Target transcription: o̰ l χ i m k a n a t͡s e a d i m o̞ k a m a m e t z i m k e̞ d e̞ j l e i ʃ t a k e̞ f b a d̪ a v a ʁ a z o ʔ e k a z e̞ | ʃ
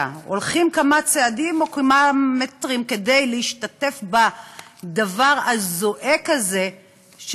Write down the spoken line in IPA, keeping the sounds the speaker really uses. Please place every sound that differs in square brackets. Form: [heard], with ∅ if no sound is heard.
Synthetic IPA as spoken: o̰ l χ i m k a [m] a t͡s e a d i m o̞ k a m a m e t [ʁ] i m k e̞ d e̞ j l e i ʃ t a [t] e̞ f b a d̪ a v a ʁ a z o ʔ e k a z e̞ | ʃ

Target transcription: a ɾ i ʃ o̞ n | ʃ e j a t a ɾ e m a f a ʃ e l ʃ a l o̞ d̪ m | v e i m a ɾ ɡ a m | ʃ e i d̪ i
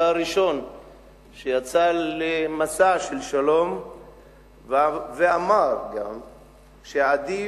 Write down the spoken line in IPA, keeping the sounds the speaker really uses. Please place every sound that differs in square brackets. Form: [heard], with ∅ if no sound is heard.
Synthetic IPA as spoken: a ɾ i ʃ o̞ n | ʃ e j a [t͡s] a [l] e m a [s] a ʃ e l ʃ a l o̞ [∅] m | v e [a] m a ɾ ɡ a m | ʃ e [a] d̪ i

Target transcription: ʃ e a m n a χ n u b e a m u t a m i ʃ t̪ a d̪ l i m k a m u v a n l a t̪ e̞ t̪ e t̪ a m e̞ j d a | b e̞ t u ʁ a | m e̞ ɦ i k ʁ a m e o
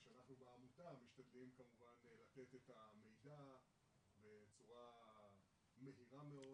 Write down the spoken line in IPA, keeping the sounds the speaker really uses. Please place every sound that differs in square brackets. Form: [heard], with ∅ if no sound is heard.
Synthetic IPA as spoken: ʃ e a [∅] n a χ n u b e a m u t a m i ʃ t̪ a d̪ l i m k a m u v a n l a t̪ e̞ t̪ e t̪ a m e̞ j d a | b e̞ [t͡s] u ʁ a | m e̞ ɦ i [∅] ʁ a m e o

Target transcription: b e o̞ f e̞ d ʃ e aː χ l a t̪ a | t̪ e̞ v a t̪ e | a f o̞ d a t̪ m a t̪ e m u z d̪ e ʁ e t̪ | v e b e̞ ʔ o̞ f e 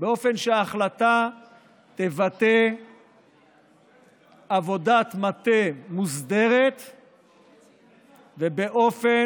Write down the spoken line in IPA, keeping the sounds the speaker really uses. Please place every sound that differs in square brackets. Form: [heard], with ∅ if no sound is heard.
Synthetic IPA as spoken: b e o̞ f e̞ [n] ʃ e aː χ l a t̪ a | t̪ e̞ v a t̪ e | a [v] o̞ d a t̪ m a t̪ e m u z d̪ e ʁ e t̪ | v e b e̞ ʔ o̞ f e

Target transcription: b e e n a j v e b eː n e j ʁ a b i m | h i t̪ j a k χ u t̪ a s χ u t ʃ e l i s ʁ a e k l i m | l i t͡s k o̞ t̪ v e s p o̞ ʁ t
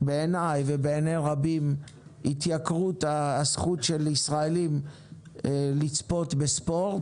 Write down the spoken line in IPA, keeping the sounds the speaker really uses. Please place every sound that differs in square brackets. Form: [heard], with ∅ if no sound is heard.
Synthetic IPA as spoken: b e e n a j v e b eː n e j ʁ a b i m | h i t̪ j a k [ʁ] u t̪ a s χ u t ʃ e l i s ʁ a e [∅] l i m | l i t͡s [p] o̞ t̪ [b] e s p o̞ ʁ t

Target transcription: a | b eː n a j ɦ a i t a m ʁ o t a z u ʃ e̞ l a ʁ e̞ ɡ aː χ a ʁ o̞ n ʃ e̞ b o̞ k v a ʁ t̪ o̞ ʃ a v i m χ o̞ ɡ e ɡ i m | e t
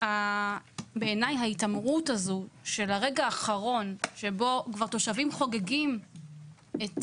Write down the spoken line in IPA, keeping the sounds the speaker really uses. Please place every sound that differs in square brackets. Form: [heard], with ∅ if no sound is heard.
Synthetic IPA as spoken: a | b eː n a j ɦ a i t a m ʁ [u] t a z u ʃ e̞ l a ʁ e̞ ɡ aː χ a ʁ o̞ n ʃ e̞ b o̞ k v a ʁ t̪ o̞ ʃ a v i m χ o̞ ɡ e ɡ i m | e t

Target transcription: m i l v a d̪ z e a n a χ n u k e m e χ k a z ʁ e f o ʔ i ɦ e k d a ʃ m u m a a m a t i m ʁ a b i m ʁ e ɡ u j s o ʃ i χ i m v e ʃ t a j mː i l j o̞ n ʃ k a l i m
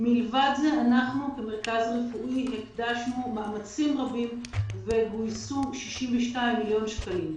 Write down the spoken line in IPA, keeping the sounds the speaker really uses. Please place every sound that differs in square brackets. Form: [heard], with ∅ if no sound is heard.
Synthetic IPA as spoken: m i l v a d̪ z e a n a χ n u k e m e [ʁ] k a z ʁ e f [u] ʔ i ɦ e k d a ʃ [n] u m a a m a [t͡s] i m ʁ a b i m [v] e ɡ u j s [u] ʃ i [ʃ] i m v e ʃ t a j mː i l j o̞ n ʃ k a l i m

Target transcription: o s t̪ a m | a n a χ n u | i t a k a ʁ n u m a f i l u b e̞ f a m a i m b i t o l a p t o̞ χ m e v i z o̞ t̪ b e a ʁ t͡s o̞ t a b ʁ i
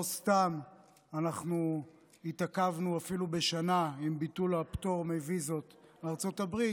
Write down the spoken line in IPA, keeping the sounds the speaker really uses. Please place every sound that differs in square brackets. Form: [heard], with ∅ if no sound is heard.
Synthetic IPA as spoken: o s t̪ a m | a n a χ n u | i t a k a [v] n u [∅] a f i l u b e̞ [ʃ] a [n] a i m b i t [u] l a p t o̞ [ʁ] m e v i z o̞ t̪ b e a ʁ t͡s o̞ t a b ʁ i

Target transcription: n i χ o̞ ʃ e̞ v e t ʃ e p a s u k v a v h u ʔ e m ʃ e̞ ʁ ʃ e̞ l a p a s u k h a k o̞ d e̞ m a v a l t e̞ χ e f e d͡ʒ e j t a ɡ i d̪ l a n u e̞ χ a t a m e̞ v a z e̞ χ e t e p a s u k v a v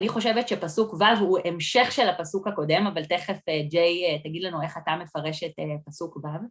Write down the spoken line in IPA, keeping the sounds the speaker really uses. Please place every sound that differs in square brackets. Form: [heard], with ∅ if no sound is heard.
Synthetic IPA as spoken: n i χ o̞ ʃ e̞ v e t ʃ e p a s u k v a v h u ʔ e m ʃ e̞ [χ] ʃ e̞ l a p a s u k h a k o̞ d e̞ m a v a l t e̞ χ e f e d͡ʒ e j t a ɡ i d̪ l a n u e̞ χ a t a m e̞ [f] a [ʁ] e̞ [ʃ] e t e p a s u k v a v

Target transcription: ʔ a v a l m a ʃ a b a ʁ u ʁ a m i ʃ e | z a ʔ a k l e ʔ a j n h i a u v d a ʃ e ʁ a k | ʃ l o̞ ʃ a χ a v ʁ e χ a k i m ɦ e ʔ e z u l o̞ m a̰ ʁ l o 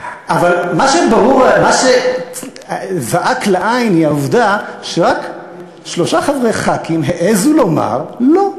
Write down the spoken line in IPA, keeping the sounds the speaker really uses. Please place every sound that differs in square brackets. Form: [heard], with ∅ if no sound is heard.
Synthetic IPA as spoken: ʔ a v a l m a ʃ [e] b a ʁ u ʁ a m [a] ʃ e | z a ʔ a k l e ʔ a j n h i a u v d a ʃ e ʁ a k | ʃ l o̞ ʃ a χ a v ʁ e χ a k i m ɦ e ʔ e z u l o̞ m a̰ ʁ l o

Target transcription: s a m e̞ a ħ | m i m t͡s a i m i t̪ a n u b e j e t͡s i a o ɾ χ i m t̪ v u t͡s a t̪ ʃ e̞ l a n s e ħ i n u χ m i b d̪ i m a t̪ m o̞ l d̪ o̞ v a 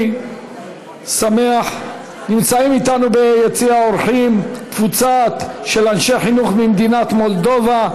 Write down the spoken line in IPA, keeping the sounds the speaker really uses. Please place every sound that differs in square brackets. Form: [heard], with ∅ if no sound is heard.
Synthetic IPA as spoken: s a m e̞ a ħ | [n] i m t͡s a i m i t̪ a n u b e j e t͡s i a o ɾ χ i m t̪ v u t͡s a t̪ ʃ e̞ l a n [ʃ] e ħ i n u χ m i [m] d̪ i [n] a t̪ m o̞ l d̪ o̞ v a

